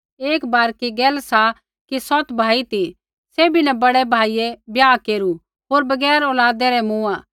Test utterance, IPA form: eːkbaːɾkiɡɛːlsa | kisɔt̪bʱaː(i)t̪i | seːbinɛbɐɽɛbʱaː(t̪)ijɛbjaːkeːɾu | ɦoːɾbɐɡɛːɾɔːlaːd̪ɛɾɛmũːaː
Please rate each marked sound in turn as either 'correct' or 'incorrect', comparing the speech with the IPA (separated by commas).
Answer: correct, incorrect